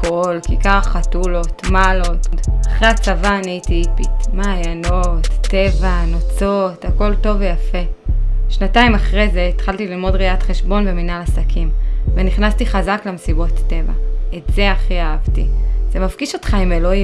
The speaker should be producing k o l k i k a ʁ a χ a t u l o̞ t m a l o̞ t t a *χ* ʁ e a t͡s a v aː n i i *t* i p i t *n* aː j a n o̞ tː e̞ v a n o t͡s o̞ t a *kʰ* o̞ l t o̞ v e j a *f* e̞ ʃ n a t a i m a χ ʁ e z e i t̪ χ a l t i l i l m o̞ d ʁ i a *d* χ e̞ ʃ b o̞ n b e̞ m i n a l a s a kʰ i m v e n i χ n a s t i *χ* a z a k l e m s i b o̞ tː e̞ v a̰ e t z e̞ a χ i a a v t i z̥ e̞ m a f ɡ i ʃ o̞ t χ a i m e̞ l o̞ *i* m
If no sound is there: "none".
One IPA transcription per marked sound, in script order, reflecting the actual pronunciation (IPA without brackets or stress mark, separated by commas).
χ, t, m, k, f, t, χ, i